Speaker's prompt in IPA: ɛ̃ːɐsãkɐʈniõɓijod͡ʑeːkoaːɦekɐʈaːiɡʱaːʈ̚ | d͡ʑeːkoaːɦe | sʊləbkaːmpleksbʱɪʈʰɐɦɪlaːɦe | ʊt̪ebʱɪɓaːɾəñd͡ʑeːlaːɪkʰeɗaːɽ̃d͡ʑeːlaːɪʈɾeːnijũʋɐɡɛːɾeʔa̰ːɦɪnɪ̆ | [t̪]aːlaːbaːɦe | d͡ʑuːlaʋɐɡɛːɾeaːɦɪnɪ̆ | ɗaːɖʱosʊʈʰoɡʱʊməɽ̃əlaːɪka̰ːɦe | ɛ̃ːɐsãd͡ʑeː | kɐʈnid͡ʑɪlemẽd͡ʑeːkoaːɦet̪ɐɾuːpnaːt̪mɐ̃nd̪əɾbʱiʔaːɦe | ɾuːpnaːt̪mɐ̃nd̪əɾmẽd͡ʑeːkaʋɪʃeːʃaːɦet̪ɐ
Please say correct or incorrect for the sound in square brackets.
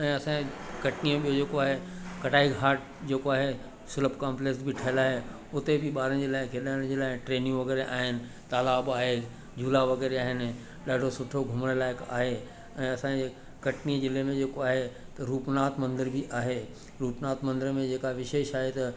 correct